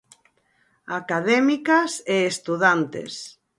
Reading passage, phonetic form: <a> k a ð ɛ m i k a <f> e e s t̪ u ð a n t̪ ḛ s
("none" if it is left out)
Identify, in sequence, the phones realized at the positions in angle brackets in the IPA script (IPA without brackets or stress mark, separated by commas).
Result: a, s